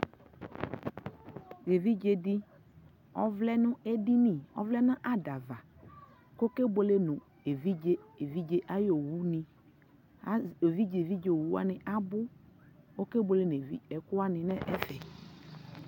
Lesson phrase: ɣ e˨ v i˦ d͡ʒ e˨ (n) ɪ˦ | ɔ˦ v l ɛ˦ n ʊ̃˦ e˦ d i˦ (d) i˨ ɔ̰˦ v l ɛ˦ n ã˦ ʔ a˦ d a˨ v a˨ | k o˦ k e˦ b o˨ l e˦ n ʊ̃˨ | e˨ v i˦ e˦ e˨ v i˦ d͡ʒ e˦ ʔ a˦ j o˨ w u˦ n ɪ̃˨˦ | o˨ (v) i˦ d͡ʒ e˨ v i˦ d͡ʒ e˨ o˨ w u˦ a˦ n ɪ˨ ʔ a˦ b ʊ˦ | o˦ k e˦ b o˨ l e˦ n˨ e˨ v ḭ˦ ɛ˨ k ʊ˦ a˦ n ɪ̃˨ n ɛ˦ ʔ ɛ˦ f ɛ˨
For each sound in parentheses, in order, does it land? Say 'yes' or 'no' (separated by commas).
no, no, yes